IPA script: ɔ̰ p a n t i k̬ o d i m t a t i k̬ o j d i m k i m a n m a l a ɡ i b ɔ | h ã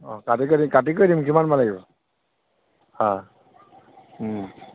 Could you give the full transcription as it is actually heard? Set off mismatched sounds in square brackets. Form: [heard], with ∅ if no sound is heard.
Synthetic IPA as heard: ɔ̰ [k] a [∅] t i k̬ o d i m [k] a t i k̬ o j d i m k i m a n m a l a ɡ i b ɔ | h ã